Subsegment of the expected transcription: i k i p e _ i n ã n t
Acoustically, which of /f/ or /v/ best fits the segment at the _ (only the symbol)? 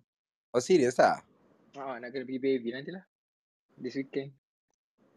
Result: v